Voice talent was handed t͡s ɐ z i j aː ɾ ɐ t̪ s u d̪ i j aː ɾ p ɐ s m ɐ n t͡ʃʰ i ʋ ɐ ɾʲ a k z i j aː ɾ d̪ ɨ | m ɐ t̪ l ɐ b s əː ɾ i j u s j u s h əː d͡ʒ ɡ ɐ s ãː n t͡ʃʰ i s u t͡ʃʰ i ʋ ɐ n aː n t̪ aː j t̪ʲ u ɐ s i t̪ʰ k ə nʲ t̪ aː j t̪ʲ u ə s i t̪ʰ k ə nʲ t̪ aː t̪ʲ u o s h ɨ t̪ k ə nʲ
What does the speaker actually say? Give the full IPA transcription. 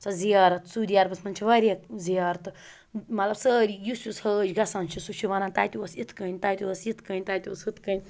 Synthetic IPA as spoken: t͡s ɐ z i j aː ɾ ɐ t̪ s u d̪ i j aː ɾ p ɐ s m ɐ n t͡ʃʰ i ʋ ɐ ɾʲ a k z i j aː ɾ t̪ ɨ | m ɐ t̪ l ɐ b s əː ɾ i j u s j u s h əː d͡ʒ ɡ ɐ s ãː n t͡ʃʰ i s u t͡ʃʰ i ʋ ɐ n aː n t̪ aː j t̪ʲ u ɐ s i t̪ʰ k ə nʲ t̪ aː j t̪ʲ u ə s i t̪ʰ k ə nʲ t̪ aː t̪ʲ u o s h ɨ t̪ k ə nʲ